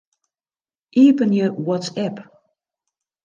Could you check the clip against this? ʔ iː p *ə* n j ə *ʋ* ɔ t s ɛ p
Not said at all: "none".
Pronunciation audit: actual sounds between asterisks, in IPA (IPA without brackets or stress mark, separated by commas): ə, w